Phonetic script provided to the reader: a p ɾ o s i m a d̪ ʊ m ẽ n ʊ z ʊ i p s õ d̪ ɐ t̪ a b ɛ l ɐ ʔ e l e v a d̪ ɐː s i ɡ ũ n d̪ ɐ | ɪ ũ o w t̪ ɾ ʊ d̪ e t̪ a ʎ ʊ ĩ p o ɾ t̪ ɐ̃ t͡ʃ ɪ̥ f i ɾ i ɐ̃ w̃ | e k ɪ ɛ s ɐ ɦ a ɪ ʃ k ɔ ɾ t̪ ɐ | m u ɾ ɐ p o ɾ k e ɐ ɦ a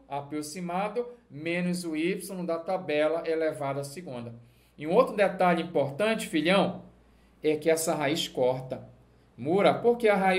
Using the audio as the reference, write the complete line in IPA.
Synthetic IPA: a p ɾ o s i m a d̪ ʊ m ẽ n ʊ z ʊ i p s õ d̪ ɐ t̪ a b ɛ l ɐ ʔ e l e v a d̪ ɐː s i ɡ ũ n d̪ ɐ | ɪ ũ o w t̪ ɾ ʊ d̪ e t̪ a ʎ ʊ ĩ p o ɾ t̪ ɐ̃ t͡ʃ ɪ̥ f i ʎ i ɐ̃ w̃ | ɛ k ɪ ɛ s ɐ ɦ a i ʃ k ɔ ɾ t̪ ɐ | m u ɾ ɐ p o ɾ k e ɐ ɦ a